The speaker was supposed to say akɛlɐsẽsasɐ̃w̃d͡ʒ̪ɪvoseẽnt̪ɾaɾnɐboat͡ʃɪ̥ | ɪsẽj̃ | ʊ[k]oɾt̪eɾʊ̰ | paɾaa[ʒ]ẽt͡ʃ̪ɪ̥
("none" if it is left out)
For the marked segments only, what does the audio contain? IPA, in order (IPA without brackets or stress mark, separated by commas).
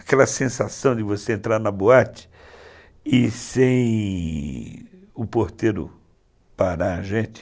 p, ʒ